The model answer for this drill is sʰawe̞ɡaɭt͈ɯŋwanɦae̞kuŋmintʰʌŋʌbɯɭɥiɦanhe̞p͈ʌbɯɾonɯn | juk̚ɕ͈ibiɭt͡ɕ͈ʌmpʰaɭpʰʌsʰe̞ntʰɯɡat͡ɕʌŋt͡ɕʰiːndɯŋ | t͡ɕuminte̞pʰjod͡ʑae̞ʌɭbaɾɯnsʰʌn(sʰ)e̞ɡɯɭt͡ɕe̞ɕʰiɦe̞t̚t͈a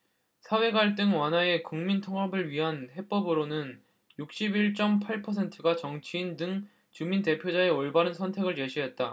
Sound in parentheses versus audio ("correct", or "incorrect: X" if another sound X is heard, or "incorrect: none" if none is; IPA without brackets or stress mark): incorrect: tʰ